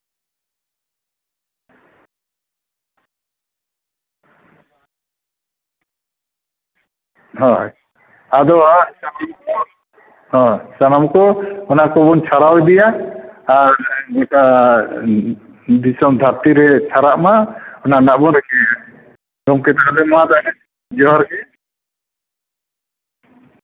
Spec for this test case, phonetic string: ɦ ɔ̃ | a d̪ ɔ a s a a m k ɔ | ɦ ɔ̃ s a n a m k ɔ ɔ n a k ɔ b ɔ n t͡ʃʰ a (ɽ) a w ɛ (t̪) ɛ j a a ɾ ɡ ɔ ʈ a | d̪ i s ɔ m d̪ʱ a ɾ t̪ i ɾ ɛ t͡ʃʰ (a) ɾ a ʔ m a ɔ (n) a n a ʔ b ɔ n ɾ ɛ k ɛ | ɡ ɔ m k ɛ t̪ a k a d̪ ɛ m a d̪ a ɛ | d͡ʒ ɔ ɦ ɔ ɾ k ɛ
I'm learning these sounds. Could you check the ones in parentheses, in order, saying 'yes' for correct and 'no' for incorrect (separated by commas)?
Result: no, no, yes, yes